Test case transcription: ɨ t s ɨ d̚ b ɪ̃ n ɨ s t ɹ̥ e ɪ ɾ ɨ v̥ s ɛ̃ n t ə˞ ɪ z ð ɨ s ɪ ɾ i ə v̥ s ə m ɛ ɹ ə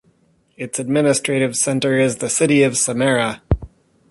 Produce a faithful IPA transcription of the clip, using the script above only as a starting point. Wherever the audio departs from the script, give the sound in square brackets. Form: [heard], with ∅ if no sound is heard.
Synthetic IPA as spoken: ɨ t s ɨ d̚ [m] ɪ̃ n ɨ s t ɹ̥ e ɪ ɾ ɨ v̥ s ɛ̃ n t ə˞ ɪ z ð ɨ s ɪ ɾ i [ʌ] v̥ s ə m ɛ ɹ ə